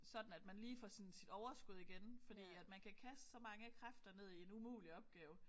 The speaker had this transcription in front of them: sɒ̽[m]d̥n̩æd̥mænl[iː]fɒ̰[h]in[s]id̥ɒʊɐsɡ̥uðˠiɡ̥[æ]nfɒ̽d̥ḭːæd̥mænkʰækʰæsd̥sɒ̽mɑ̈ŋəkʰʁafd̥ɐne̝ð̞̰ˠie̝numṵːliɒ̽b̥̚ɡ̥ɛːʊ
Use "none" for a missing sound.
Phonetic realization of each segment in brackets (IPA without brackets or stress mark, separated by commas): none, iː, s, s, e